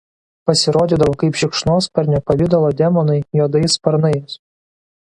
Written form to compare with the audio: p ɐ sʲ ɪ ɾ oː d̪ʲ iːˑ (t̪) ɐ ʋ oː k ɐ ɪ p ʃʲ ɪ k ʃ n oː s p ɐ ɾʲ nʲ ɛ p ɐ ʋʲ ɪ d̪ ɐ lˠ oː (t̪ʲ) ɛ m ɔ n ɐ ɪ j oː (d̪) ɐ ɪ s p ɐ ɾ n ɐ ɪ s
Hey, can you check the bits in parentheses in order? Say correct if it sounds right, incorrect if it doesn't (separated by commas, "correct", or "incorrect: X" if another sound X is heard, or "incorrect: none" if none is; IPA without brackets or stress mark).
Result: incorrect: d̪, incorrect: d̪ʲ, correct